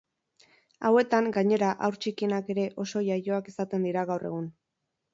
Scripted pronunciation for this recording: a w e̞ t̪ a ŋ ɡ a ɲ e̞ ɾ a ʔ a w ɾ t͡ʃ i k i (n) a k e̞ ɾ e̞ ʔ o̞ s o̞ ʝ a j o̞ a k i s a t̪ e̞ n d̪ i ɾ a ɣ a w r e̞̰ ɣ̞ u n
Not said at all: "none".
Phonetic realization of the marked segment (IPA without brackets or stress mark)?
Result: n